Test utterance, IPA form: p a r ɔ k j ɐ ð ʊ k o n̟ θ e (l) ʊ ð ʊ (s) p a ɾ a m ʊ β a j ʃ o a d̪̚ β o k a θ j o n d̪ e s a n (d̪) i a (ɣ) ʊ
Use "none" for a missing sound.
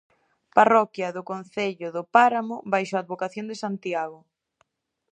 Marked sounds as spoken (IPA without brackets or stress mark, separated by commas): ʎ, none, t̪, ɣ